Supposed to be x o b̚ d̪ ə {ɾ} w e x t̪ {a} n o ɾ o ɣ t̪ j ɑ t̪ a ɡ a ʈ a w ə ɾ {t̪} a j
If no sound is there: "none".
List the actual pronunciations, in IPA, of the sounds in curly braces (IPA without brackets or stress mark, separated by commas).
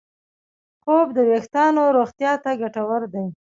none, ɑ, d̪